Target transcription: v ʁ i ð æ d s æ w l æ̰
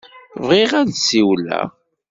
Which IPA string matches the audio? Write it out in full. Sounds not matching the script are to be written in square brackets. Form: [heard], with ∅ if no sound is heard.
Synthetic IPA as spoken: v ʁ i [ʁ] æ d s [i] w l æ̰

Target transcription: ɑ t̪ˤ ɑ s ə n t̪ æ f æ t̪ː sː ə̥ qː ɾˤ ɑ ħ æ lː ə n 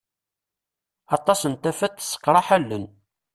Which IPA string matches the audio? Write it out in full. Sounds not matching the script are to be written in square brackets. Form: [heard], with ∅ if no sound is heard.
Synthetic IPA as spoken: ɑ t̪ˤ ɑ s ə n t̪ æ f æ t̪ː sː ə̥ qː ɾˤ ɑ ħ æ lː ə n

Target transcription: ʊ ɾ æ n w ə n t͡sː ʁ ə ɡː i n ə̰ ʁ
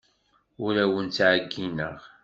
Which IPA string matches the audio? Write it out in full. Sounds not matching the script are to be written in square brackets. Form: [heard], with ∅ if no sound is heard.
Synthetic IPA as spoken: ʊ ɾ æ [∅] w ə n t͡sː [ʕ] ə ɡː i n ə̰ ʁ

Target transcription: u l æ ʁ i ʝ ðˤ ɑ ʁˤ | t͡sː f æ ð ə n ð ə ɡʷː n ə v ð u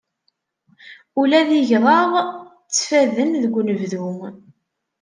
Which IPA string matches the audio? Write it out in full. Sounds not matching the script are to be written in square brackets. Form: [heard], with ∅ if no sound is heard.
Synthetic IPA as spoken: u l æ [ð] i ʝ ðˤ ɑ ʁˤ | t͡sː f æ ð ə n ð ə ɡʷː n ə v ð u

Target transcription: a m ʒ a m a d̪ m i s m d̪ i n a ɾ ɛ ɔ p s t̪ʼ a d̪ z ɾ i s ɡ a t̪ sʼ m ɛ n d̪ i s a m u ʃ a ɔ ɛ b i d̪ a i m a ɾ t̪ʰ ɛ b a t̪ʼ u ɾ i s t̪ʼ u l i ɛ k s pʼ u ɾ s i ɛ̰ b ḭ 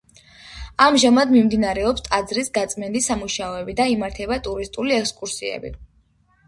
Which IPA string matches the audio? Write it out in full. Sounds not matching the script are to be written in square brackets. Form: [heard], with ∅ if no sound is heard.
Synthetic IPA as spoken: a m ʒ a m a d̪ m i [∅] m d̪ i n a ɾ ɛ ɔ p s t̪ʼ a d̪ z ɾ i s ɡ a t̪ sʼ m ɛ n d̪ i s a m u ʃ a ɔ ɛ b i d̪ a i m a ɾ t̪ʰ ɛ b a t̪ʼ u ɾ i s t̪ʼ u l i ɛ k s [kʼ] u ɾ s i ɛ̰ b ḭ

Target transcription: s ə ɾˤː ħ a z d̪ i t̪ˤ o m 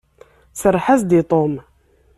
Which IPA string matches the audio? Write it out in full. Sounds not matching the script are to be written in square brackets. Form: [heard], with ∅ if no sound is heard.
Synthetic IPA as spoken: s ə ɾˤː ħ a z d̪ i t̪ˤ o m

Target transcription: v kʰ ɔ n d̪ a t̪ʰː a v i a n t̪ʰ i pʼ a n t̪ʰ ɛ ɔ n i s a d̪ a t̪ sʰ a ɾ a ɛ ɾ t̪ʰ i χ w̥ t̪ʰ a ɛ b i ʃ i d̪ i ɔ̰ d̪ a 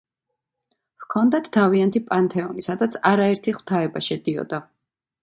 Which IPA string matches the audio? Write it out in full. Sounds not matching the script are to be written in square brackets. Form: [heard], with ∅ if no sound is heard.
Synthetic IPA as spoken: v kʰ ɔ n d̪ a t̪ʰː a v i a n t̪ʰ i pʼ a n t̪ʰ ɛ ɔ n i s a d̪ a t̪ sʰ a ɾ a ɛ ɾ t̪ʰ i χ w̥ t̪ʰ a ɛ b [a] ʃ [ɛ] d̪ i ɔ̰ d̪ a

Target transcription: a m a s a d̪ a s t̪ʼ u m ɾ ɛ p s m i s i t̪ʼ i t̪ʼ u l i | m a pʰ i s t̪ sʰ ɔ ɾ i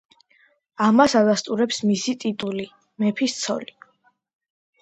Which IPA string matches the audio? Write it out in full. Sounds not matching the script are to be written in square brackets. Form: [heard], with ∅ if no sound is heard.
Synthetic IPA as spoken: a m a s a d̪ a s t̪ʼ u [∅] ɾ ɛ p s m i s i t̪ʼ i t̪ʼ u l i | m [ɛ] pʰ i s t̪ sʰ ɔ [l] i

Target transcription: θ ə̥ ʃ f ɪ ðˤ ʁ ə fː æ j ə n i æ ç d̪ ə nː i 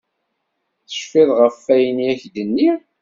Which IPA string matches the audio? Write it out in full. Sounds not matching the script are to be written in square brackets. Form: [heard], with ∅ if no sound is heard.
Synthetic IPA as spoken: θ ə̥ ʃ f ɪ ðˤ ʁ ə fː æ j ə n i æ ç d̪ ə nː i

